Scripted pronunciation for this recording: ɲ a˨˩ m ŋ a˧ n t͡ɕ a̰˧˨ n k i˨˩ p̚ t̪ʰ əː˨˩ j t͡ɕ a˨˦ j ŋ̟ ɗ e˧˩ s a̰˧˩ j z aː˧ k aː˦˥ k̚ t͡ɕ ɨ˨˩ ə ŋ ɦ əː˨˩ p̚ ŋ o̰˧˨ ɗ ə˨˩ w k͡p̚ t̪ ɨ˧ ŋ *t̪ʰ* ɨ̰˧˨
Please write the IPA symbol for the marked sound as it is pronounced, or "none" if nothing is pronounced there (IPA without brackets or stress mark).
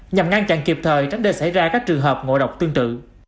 t̪